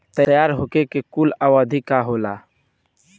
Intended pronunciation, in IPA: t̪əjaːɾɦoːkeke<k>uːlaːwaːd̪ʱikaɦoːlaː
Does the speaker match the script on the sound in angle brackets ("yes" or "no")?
yes